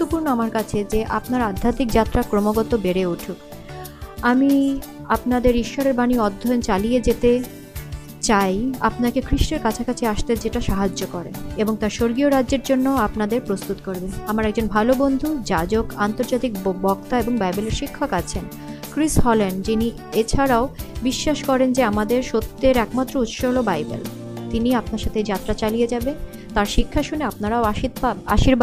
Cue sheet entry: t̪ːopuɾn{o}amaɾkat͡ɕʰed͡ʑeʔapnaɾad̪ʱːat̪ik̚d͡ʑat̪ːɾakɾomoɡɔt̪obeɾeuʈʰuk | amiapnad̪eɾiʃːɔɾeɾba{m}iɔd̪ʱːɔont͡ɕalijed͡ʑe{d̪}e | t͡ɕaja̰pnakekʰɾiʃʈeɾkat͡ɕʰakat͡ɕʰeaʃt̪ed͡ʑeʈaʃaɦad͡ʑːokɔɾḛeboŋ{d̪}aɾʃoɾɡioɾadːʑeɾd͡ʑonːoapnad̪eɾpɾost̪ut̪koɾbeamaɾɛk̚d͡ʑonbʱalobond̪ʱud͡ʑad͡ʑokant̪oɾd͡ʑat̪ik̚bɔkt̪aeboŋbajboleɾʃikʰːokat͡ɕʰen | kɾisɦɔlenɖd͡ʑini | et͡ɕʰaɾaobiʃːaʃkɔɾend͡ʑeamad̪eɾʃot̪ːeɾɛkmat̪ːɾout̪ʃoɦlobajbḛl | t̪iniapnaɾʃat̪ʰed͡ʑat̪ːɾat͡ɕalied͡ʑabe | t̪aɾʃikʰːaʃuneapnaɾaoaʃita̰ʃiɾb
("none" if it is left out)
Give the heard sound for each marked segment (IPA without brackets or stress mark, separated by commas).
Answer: o, n, t̪, t̪